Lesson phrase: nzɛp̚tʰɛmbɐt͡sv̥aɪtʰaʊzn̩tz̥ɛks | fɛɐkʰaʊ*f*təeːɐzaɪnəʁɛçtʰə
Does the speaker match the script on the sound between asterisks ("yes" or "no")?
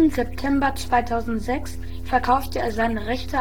yes